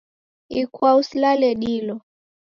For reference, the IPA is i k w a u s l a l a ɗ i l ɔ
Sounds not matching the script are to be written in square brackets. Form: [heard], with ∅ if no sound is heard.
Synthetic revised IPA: i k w a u s l a l [ɛ] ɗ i l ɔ